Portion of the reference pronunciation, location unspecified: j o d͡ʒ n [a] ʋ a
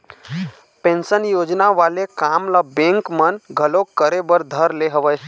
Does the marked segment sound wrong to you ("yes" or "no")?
no